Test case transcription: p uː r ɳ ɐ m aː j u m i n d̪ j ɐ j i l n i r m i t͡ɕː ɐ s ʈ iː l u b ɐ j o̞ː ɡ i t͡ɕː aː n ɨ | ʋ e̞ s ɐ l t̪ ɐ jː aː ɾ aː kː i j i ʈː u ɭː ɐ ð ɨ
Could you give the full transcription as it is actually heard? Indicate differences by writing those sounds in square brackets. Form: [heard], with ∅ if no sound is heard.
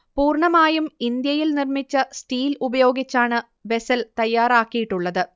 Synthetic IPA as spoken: p uː r ɳ ɐ m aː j u m i n d̪ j ɐ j i l n i r m i t͡ɕː ɐ s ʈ iː l u b ɐ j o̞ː ɡ i t͡ɕː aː [ɳ] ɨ | ʋ e̞ s ɐ l t̪ ɐ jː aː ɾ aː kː i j i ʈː u ɭː ɐ ð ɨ